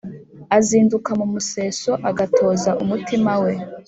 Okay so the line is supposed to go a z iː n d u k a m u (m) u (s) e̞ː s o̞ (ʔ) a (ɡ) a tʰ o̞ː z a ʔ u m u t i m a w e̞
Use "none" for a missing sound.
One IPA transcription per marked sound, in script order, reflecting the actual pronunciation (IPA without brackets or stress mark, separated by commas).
m, s, ʔ, ɡ